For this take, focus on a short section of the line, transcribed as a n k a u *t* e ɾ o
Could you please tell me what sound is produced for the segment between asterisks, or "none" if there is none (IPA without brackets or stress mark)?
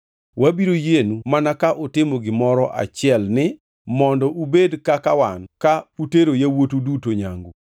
t